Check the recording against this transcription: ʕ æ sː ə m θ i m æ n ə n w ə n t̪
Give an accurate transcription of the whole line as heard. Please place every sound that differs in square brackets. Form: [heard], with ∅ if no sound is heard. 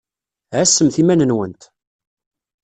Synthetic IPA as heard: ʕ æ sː ə m θ i m æ n ə n w ə n t̪

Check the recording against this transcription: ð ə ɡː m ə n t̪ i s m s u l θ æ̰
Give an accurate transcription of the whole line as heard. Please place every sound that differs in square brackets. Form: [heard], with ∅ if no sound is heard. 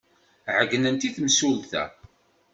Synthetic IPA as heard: [ʕ] ə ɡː [n] ə n t̪ i [θ] m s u l θ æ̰

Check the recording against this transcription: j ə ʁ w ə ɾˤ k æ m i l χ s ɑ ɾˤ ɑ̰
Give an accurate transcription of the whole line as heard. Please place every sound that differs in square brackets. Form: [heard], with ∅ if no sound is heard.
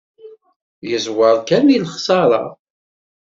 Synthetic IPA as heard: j ə [z] w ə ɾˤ k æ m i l χ s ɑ ɾˤ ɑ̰

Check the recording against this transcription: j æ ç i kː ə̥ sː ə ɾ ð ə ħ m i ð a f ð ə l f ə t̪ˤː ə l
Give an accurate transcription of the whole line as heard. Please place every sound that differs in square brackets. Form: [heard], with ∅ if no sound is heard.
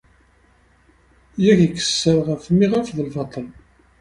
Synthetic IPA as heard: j æ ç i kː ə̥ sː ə ɾ [ʁ] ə [f] m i [ʁ] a f ð ə l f [ɑ] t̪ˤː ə l

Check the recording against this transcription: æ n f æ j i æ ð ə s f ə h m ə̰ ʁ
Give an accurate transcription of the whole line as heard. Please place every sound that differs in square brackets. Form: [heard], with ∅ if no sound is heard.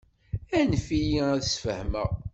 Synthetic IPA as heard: æ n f [i] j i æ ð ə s f ə h m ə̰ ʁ

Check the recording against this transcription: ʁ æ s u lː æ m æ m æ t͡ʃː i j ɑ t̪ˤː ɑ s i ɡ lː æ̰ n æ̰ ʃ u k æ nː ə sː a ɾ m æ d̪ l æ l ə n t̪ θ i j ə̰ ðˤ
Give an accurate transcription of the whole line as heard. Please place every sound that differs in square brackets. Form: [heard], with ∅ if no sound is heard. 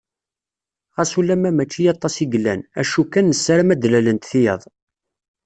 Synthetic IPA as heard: ʁ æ s u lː æ m æ m æ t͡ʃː i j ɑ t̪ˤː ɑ s i ɡ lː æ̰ n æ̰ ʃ u k æ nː ə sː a ɾ m æ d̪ l æ l ə n t̪ θ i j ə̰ ðˤ

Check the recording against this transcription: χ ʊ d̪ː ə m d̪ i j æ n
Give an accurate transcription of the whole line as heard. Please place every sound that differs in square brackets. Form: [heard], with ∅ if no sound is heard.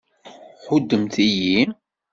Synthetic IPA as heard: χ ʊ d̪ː ə m [t̪] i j [i] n

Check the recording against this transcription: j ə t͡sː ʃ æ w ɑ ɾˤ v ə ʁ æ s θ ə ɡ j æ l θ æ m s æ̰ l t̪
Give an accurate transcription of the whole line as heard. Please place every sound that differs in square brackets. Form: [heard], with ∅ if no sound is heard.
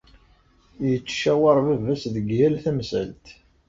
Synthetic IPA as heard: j ə t͡sː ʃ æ w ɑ ɾˤ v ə [v] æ s [ð] ə ɡ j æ l θ æ m s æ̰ l t̪

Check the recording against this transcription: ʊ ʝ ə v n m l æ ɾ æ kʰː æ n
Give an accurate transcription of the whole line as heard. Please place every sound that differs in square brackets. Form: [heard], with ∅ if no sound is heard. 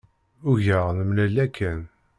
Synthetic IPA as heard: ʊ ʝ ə [ʁ] n m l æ [l] æ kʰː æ n

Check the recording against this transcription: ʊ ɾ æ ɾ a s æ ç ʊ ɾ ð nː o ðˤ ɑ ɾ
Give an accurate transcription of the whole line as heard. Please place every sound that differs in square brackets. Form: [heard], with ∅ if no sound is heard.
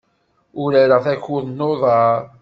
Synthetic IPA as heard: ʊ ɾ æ ɾ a [θ] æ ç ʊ [∅] ð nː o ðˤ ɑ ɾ

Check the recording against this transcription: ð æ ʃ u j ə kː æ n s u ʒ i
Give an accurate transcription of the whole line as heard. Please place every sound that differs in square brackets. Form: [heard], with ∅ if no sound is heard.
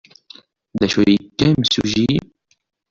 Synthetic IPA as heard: ð æ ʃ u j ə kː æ [m] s u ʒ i

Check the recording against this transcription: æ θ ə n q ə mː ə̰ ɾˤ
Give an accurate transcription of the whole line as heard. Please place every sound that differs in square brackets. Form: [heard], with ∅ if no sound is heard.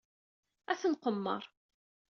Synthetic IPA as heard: æ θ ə n q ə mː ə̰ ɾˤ

